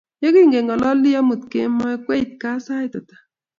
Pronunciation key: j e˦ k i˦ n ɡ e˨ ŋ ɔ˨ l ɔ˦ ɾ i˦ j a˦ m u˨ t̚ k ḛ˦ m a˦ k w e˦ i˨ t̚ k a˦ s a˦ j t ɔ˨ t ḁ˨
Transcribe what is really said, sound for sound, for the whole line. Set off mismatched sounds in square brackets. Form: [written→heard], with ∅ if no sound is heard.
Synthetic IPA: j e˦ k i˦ [n→ŋ] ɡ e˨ ŋ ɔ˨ l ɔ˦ [ɾ→l] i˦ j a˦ m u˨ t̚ k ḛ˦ m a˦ k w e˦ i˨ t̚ k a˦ s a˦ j t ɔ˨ t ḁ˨